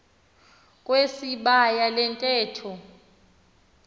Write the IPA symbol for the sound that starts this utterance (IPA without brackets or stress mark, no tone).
kʼ